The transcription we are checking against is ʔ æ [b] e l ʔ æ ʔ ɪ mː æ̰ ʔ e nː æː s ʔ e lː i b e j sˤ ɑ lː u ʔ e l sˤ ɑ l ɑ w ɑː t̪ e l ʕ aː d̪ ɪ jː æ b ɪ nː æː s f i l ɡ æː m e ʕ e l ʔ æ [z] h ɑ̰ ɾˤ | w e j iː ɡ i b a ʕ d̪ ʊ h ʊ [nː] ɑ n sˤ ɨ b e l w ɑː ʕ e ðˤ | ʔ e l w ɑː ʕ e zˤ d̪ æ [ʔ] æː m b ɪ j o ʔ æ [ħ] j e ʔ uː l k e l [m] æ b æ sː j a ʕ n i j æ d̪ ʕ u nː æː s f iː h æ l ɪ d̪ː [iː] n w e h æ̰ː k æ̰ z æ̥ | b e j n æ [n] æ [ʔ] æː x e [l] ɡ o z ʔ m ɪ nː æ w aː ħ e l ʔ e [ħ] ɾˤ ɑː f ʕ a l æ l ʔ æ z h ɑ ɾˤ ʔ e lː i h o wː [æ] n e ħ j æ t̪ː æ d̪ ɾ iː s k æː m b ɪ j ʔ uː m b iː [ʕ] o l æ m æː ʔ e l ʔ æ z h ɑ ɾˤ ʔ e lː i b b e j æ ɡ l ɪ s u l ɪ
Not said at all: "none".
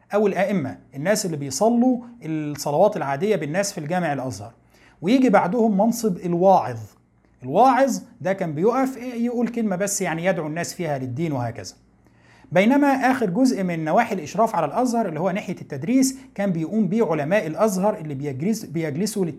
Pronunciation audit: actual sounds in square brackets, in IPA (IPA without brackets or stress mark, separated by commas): w, z, mː, k, f, m, iː, m, ʔ, ɾ, ʃ, æ, ʕ